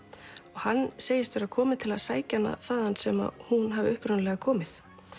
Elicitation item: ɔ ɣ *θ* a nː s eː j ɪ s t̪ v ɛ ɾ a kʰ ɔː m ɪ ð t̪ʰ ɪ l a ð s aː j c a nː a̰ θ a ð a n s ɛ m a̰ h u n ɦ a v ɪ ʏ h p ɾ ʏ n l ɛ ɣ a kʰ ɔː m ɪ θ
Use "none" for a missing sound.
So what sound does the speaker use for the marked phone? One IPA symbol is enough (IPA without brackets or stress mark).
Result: h